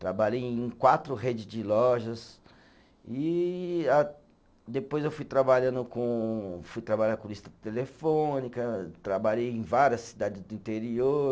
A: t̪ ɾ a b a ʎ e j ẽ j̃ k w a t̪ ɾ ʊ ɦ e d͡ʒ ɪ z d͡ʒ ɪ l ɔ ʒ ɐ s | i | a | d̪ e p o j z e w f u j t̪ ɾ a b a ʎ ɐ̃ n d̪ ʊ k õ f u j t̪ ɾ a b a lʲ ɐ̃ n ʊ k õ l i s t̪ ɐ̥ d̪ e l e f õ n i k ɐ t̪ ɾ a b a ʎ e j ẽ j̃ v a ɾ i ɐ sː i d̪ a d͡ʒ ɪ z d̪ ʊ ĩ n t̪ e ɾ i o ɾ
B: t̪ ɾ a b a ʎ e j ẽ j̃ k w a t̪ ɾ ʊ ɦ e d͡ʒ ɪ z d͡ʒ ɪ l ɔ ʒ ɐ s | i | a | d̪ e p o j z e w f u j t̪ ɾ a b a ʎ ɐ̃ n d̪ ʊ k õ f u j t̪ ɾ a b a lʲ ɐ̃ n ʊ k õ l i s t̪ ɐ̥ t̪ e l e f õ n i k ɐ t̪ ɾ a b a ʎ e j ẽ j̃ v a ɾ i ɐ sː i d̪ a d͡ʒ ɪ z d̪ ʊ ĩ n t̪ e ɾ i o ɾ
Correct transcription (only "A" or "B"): B